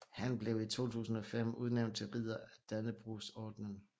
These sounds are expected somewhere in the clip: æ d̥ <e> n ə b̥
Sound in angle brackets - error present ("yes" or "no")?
yes